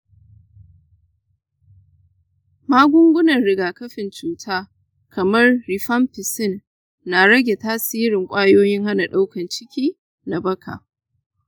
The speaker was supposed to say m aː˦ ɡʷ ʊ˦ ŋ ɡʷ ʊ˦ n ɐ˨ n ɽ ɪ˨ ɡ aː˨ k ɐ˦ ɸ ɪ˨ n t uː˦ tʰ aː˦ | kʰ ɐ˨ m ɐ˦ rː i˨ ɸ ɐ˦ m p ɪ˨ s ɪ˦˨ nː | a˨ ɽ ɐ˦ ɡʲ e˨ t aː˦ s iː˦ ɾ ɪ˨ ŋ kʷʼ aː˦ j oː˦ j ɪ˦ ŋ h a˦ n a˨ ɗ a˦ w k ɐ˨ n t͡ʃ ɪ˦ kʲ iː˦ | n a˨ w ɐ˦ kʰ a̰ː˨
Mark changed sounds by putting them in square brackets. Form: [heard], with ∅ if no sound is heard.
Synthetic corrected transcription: m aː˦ ɡʷ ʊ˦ ŋ ɡʷ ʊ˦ n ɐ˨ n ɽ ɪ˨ ɡ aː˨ k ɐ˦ ɸ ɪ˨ n [t͡ʃ] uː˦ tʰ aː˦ | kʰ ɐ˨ m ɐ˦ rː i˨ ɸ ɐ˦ m p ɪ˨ s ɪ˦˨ nː | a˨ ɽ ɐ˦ ɡʲ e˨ t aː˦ s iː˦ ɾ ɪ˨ ŋ kʷʼ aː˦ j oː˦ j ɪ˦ ŋ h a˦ n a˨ ɗ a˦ w k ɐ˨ n t͡ʃ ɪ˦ kʲ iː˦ | n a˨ [b] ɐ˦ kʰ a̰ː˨